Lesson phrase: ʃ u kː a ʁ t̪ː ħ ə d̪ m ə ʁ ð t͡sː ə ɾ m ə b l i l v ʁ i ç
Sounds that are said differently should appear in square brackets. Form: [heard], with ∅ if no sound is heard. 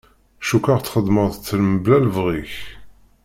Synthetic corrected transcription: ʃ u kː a ʁ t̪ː [χ] ə d̪ m ə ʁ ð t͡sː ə [l] m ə b l [æ] l v ʁ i ç

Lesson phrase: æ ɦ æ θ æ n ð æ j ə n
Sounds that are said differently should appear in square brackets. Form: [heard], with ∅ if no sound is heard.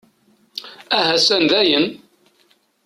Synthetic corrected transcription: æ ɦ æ [s] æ n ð æ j ə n

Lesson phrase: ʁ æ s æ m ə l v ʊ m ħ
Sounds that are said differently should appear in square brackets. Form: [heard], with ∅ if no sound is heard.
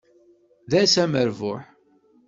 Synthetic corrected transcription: [ð] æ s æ m ə [ɾ] v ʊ [∅] ħ

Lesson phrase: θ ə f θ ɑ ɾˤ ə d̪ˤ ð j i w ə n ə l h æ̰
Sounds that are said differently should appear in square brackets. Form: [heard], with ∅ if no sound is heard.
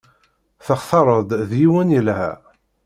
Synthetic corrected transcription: θ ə [χ] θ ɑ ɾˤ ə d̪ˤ ð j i w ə n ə l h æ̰

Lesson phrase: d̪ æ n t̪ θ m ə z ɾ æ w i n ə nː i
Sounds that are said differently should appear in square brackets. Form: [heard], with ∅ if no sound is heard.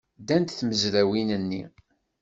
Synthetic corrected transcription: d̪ æ n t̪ θ m ə z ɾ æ w i n ə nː i

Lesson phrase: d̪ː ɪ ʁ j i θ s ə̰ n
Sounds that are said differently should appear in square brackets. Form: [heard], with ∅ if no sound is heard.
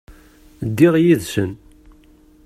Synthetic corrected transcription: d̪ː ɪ ʁ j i [ð] s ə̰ n

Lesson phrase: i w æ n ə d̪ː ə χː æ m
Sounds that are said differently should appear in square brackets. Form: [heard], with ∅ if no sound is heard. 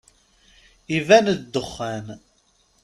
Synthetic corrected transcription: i [v] æ n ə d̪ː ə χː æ [n]

